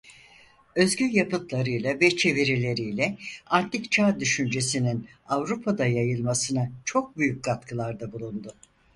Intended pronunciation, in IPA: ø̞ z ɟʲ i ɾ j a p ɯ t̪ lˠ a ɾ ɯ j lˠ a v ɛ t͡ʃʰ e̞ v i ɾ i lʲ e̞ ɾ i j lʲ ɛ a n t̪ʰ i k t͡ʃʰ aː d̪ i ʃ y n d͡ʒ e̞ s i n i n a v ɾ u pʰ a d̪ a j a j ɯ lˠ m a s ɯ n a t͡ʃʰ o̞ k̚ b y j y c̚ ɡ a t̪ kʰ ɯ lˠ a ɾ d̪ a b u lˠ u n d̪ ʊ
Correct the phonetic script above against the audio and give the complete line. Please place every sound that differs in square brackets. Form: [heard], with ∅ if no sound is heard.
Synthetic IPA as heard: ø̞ z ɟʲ [y] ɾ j a p ɯ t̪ lˠ a ɾ ɯ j lˠ a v ɛ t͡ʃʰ e̞ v i ɾ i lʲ e̞ ɾ i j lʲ ɛ a n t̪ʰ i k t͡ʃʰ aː d̪ [y] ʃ y n d͡ʒ e̞ s i n i n a v ɾ u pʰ a d̪ a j a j ɯ lˠ m a s ɯ n a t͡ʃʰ o̞ k̚ b y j y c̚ ɡ a t̪ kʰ ɯ lˠ a ɾ d̪ a b u lˠ u n d̪ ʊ

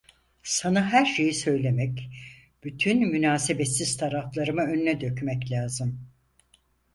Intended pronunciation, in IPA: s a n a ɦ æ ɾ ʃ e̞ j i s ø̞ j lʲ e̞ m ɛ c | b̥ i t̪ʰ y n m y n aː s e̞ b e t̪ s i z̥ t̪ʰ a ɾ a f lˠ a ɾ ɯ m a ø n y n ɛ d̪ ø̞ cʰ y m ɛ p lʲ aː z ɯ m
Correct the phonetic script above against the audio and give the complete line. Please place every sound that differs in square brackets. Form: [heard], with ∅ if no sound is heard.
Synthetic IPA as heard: s a n a ɦ æ ɾ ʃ e̞ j i s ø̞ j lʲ e̞ m ɛ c | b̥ [y] t̪ʰ y n m y n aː s e̞ b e t̪ s i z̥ t̪ʰ a ɾ a f lˠ a ɾ ɯ m a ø n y n ɛ d̪ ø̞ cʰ y m ɛ [c] lʲ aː z ɯ m

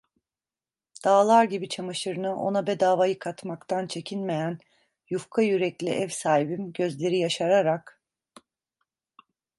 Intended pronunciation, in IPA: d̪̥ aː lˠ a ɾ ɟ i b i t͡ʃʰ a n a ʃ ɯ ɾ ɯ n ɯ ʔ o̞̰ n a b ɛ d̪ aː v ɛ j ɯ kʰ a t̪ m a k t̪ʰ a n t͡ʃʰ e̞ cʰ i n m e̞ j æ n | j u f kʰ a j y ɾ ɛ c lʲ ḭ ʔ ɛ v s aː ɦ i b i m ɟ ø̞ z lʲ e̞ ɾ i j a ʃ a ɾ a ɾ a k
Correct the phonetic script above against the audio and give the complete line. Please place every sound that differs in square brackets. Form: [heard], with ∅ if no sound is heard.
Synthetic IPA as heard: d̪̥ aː lˠ a ɾ ɟ i b i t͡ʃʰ a [m] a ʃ ɯ ɾ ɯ n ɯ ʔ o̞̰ n a b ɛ d̪ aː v [a] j ɯ kʰ a t̪ m a k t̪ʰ a n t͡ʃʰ e̞ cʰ i n m e̞ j æ n | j u f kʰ a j y ɾ ɛ c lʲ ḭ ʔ ɛ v s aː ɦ i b i m ɟ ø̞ z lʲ e̞ ɾ i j a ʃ a ɾ a ɾ a k

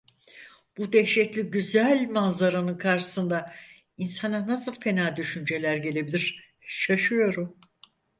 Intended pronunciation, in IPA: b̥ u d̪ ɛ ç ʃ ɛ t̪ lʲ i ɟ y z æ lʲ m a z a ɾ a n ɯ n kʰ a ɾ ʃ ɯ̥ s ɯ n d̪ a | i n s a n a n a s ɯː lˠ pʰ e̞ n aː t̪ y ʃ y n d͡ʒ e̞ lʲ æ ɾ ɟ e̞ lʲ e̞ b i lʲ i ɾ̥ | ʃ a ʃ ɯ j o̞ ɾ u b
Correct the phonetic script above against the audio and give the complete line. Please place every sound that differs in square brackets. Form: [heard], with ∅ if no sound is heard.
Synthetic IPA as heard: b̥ u d̪ ɛ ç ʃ ɛ t̪ lʲ i ɟ y z æ lʲ m a z a ɾ a n ɯ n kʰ a ɾ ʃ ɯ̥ s ɯ n d̪ a | i n s a n a n a s [ɯ] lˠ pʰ e̞ n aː [d̪] y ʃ y n d͡ʒ e̞ lʲ æ ɾ ɟ e̞ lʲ e̞ b i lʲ i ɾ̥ | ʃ a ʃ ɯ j o̞ ɾ u [m]

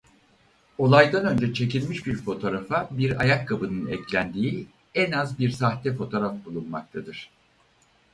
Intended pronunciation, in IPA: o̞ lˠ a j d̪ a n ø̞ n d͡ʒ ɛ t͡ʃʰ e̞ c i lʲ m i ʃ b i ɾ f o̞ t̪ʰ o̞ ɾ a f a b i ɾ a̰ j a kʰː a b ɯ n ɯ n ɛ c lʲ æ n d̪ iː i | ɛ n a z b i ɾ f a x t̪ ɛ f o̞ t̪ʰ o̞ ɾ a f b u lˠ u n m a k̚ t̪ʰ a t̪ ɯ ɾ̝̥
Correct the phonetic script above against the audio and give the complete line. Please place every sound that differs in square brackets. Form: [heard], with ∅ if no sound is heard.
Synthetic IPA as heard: o̞ lˠ a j d̪ a n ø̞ n d͡ʒ ɛ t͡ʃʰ e̞ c i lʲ m i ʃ b i ɾ f o̞ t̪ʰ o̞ ɾ a f a b i ɾ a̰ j a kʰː a b ɯ n ɯ n ɛ c lʲ æ n d̪ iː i | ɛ n a z b i ɾ [s] a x t̪ ɛ f o̞ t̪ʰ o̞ ɾ a f b u lˠ u n m a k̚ t̪ʰ a [d̪] ɯ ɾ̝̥

